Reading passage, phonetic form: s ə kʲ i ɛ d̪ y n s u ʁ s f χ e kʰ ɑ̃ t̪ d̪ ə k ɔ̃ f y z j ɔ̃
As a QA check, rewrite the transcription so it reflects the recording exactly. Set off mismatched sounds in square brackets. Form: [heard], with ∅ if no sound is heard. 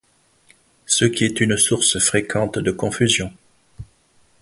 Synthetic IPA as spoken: s ə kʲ i ɛ [t̪] y n s u ʁ s f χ e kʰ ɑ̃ t̪ d̪ ə k ɔ̃ f y z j ɔ̃